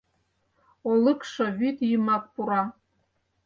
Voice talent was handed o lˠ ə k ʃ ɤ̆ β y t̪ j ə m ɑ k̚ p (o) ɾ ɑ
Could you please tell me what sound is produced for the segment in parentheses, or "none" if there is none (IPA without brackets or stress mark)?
u